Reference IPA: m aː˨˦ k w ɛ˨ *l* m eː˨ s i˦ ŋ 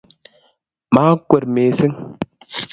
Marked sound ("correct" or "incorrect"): incorrect